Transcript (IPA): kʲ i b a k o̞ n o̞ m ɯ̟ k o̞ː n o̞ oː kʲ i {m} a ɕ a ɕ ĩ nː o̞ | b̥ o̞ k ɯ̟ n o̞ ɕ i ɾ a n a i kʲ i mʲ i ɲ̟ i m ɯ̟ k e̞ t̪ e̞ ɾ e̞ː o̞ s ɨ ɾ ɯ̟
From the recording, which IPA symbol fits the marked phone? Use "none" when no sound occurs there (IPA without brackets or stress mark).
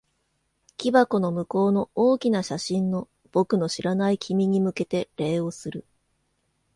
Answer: n